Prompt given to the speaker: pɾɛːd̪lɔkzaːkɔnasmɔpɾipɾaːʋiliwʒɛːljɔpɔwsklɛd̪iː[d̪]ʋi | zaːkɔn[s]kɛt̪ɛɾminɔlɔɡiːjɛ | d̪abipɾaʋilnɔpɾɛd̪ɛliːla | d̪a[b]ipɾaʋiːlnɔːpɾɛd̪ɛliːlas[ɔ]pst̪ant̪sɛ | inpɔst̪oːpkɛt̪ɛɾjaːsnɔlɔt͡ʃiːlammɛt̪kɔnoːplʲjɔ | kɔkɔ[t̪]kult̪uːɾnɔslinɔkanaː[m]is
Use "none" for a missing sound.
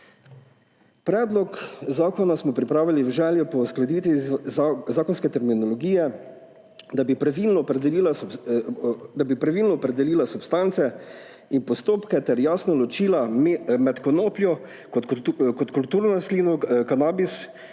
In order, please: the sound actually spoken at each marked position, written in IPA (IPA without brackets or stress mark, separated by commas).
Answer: t̪, s, b, u, t̪, b